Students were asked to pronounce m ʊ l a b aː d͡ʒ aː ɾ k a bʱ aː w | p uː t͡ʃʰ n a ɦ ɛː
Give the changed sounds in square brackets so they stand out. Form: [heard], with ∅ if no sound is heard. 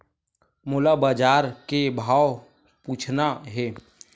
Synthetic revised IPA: m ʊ l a b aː d͡ʒ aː ɾ k [e] bʱ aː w | p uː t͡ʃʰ n a ɦ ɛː